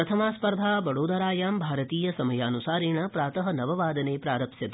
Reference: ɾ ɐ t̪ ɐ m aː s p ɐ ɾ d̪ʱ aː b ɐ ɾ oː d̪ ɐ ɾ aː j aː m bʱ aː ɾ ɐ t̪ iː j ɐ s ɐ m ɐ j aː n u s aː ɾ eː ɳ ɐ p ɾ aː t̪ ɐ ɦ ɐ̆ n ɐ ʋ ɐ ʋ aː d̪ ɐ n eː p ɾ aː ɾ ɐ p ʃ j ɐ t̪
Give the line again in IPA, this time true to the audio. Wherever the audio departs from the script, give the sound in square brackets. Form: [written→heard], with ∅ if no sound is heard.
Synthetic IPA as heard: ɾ ɐ [t̪→t̪ʰ] ɐ m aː s p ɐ ɾ d̪ʱ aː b ɐ [ɾ→ɽ] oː d̪ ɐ ɾ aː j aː m bʱ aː ɾ ɐ t̪ iː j ɐ s ɐ m ɐ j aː n u s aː ɾ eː ɳ ɐ p ɾ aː t̪ ɐ ɦ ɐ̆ n ɐ ʋ ɐ ʋ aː d̪ ɐ n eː p ɾ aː ɾ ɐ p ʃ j ɐ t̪